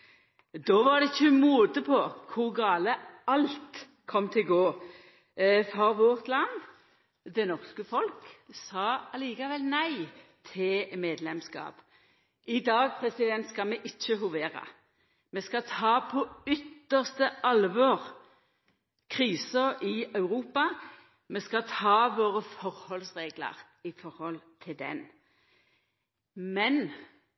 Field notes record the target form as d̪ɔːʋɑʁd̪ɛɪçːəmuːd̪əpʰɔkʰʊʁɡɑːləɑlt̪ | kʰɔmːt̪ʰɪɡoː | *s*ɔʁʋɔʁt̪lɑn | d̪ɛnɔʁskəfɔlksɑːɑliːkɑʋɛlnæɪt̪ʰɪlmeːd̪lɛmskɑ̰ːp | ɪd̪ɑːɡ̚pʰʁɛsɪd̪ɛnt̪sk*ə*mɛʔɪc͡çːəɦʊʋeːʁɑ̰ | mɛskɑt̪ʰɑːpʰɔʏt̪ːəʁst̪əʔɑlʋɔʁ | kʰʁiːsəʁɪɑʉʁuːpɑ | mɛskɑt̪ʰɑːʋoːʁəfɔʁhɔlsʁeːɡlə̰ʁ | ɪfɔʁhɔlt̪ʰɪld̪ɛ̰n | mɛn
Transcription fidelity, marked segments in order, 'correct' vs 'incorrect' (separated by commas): incorrect, incorrect